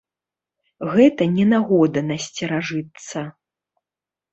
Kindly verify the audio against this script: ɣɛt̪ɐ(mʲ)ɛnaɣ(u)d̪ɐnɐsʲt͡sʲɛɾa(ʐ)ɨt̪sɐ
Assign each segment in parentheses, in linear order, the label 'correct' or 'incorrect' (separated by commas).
incorrect, incorrect, correct